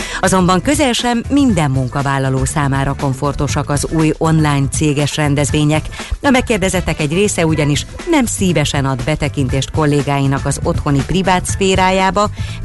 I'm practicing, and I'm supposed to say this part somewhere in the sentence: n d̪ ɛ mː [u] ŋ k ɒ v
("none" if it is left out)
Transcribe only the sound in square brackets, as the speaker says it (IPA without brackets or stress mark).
u